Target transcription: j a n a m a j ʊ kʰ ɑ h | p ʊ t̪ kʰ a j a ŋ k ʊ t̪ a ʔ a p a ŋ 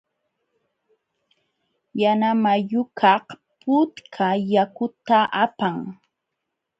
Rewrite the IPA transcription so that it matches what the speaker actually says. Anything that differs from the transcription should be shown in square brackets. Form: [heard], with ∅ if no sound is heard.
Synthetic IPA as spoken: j a n a m a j ʊ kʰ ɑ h | p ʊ t̪ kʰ a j a [∅] k ʊ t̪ a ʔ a p a ŋ